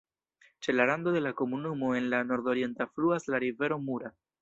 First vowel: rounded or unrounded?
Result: unrounded